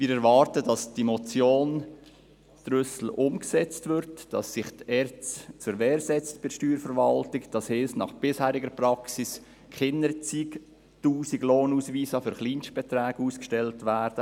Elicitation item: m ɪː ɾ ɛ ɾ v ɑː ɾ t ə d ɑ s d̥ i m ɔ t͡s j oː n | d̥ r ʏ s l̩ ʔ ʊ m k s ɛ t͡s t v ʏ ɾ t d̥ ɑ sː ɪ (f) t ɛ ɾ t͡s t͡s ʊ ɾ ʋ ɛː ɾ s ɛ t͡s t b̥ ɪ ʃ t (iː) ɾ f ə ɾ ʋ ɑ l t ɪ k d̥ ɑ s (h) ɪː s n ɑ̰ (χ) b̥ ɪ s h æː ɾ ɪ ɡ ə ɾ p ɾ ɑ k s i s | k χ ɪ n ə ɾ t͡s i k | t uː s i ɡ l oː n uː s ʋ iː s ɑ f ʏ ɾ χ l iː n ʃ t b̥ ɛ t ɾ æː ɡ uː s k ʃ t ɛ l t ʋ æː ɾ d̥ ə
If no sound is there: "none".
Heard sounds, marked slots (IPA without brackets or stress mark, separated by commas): χ, yː, h, χ